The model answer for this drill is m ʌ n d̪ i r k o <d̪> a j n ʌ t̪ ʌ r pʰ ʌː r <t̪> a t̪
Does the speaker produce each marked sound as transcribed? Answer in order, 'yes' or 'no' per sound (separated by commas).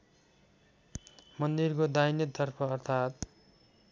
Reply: yes, no